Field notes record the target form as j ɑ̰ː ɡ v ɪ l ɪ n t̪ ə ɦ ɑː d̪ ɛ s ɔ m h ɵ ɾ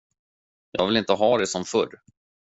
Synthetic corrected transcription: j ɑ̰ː ɡ v ɪ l ɪ n t̪ ə ɦ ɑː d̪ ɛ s ɔ m f ɵ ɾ